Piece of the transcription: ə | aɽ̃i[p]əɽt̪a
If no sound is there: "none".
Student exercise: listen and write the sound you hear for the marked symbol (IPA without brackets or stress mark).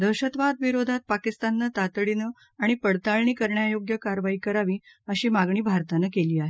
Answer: p